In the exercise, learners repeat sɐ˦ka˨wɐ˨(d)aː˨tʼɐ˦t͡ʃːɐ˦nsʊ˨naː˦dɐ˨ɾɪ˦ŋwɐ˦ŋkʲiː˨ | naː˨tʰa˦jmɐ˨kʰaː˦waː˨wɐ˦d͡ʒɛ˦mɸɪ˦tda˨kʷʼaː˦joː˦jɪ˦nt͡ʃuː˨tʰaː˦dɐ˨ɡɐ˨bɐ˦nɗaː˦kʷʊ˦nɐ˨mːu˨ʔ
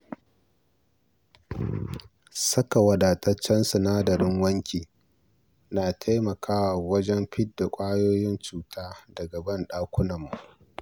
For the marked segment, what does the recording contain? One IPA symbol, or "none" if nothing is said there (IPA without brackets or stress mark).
d